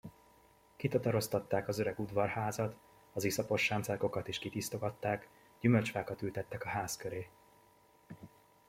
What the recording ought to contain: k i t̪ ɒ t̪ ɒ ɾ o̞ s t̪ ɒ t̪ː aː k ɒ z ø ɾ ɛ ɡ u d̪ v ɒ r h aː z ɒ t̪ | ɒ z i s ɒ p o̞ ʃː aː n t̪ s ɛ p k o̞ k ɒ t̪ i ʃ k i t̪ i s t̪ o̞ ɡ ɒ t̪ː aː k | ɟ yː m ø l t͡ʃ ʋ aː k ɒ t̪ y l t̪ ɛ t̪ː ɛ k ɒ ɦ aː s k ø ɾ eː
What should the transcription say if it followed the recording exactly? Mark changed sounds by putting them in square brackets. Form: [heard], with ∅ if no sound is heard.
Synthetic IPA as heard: k i t̪ ɒ t̪ ɒ ɾ o̞ s t̪ ɒ t̪ː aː k ɒ z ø ɾ ɛ ɡ u d̪ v ɒ r h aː z ɒ t̪ | ɒ z i s ɒ p o̞ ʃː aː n t̪ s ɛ [∅] k o̞ k ɒ t̪ i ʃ k i t̪ i s t̪ o̞ ɡ ɒ t̪ː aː k | ɟ [y] m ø l t͡ʃ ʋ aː k ɒ t̪ y l t̪ ɛ t̪ː ɛ k ɒ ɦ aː s k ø ɾ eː